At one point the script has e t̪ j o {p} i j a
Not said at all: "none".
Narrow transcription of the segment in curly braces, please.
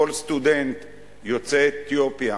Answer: p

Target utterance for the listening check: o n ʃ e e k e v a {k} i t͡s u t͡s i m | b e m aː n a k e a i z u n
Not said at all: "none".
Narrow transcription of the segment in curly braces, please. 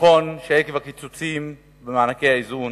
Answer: k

